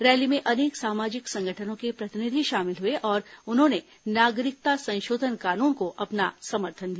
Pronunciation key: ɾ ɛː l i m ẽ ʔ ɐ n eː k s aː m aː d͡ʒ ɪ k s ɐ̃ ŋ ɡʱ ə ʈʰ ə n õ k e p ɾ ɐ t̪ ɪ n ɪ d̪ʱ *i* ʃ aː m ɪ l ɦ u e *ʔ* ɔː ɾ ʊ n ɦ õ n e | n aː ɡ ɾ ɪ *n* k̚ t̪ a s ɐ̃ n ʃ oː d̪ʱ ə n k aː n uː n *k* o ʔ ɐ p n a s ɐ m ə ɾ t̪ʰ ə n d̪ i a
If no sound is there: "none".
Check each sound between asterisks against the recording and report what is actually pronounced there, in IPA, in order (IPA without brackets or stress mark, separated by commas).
i, ʔ, none, k